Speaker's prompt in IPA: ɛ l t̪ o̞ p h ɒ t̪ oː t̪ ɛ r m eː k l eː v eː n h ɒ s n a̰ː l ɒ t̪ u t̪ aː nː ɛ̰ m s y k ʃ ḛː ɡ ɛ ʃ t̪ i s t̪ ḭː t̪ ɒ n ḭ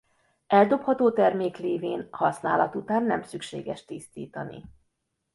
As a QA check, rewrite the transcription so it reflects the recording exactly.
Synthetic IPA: ɛ l d̪ o̞ p h ɒ t̪ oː t̪ ɛ r m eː k l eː v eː n h ɒ s n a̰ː l ɒ t̪ u t̪ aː nː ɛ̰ m s y k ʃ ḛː ɡ ɛ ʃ t̪ i s t̪ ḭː t̪ ɒ n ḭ